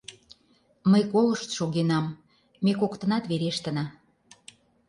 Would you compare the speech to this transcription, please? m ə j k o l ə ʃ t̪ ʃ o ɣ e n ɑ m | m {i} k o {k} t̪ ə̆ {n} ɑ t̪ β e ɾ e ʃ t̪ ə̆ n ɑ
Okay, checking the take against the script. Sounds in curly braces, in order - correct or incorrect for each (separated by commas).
incorrect, correct, correct